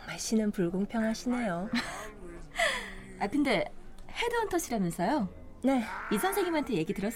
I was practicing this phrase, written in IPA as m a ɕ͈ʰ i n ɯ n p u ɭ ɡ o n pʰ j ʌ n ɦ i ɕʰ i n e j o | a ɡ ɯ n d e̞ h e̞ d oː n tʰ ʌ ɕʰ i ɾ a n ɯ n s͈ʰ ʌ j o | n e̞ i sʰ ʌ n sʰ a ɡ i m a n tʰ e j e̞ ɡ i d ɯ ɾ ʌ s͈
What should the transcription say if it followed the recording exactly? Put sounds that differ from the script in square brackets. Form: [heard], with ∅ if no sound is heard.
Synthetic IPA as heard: m a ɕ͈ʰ i n ɯ n p u ɭ ɡ o [ŋ] pʰ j ʌ [ŋ] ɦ [a] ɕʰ i n e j o | a [k] ɯ n d e̞ h e̞ d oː n tʰ ʌ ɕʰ i ɾ a n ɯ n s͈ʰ ʌ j o | n e̞ i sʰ ʌ n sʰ [e] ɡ i m a n tʰ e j e̞ ɡ i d ɯ ɾ ʌ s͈